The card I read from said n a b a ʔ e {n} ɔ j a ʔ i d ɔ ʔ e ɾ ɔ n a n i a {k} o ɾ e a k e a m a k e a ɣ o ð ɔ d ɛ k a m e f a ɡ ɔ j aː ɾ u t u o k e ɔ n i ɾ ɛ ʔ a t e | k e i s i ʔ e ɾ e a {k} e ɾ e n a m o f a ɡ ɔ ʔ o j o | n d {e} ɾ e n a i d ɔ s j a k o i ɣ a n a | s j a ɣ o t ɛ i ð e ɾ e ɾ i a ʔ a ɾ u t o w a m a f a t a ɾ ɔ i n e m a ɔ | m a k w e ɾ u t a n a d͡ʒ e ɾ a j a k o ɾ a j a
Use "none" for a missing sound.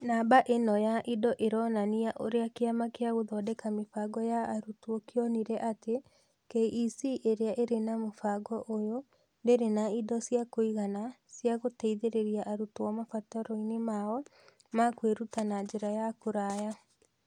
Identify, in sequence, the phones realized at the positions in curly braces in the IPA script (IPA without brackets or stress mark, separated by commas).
n, ʔ, ʔ, e